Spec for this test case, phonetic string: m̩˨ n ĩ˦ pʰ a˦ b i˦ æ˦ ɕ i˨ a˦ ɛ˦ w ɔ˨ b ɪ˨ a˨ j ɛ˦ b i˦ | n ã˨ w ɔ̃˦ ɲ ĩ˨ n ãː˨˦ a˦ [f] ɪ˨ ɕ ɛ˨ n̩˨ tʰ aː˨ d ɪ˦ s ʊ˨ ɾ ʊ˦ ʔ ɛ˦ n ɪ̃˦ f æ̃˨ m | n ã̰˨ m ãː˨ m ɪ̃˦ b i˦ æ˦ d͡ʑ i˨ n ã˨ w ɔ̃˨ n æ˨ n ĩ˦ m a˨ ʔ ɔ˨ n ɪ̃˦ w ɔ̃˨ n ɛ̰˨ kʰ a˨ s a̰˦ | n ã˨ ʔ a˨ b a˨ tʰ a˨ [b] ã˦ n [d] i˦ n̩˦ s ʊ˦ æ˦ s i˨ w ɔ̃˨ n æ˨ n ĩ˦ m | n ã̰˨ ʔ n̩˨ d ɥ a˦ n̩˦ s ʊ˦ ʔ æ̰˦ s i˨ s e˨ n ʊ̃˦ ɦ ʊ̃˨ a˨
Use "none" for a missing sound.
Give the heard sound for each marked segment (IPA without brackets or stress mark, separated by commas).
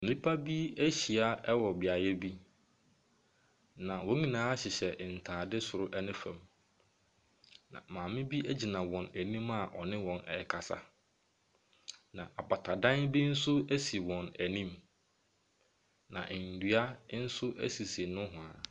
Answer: ɕ, d, b